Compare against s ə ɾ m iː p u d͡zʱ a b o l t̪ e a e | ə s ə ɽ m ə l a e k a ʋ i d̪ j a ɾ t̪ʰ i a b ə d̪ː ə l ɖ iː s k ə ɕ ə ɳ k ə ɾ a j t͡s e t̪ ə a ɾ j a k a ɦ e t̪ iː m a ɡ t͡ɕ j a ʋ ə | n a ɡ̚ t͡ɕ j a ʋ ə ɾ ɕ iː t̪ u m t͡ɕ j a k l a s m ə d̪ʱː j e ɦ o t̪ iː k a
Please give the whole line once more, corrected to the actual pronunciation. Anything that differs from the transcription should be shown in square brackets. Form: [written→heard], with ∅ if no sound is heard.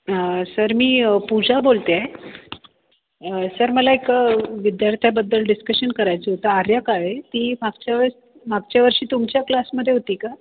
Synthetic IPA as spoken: s ə ɾ m iː p u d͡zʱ a b o l t̪ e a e | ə s ə [ɽ→ɾ] m ə l a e k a ʋ i d̪ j a ɾ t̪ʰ [i→j] a b ə d̪ː ə l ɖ [iː→i] s k ə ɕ ə [ɳ→n] k ə ɾ a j t͡s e t̪ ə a ɾ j a k a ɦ e t̪ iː m a ɡ t͡ɕ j a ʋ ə | [n→m] a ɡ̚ t͡ɕ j a ʋ ə ɾ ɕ iː t̪ u m t͡ɕ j a k l a s m ə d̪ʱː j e ɦ o t̪ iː k a